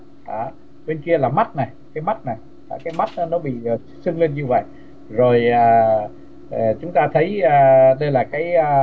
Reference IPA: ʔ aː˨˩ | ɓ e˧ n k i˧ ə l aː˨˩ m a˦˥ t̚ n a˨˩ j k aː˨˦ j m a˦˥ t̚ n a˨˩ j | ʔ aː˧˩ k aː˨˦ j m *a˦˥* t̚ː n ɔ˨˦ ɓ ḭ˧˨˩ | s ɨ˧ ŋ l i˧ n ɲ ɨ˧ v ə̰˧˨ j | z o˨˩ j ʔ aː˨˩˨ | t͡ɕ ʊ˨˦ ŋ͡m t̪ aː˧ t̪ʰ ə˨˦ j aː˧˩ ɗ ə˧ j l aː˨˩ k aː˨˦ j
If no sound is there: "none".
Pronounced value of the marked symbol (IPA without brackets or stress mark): a˦˥